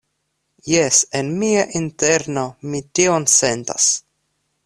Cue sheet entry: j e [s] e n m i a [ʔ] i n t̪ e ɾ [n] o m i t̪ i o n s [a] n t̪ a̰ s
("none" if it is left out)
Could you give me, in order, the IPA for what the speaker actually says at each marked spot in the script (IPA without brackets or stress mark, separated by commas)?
s, ʔ, n, e